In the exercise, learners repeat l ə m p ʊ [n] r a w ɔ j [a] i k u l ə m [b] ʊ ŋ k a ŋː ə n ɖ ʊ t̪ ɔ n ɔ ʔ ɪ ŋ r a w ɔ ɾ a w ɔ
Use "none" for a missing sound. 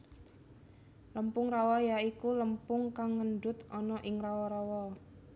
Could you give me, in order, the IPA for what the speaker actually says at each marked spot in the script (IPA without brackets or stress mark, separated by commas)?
ŋ, a, p